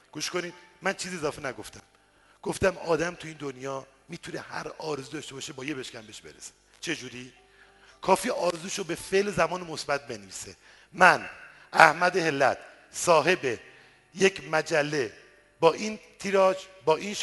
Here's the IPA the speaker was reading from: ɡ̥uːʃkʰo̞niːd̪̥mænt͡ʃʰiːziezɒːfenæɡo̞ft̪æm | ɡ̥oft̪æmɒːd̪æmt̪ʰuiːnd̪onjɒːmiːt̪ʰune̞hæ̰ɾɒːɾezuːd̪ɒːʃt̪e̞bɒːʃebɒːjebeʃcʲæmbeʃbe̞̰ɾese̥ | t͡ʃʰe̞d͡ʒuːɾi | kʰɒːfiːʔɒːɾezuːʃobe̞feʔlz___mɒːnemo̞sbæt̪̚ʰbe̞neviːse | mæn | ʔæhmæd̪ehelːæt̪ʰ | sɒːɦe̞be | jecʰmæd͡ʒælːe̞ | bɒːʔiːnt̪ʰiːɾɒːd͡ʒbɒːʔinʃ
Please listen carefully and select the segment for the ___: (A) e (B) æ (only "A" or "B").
B